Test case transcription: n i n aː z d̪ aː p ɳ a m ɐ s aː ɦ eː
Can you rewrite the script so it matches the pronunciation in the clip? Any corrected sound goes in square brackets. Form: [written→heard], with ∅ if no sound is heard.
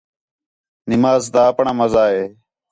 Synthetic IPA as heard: n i [n→m] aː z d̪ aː p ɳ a m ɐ [s→z] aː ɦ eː